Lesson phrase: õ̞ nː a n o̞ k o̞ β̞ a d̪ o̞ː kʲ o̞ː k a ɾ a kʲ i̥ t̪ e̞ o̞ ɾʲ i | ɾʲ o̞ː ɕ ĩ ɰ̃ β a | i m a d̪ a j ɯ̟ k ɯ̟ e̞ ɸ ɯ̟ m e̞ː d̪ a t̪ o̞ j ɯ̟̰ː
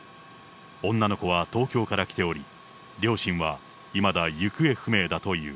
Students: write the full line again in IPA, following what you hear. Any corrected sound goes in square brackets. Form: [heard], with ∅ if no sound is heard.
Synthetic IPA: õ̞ nː a n o̞ k o̞ β̞ a [t̪] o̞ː kʲ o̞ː k a ɾ a kʲ i̥ t̪ e̞ o̞ ɾʲ i | ɾʲ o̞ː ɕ ĩ ɰ̃ β a | i m a d̪ a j ɯ̟ k ɯ̟ e̞ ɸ ɯ̟ m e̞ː d̪ a t̪ o̞ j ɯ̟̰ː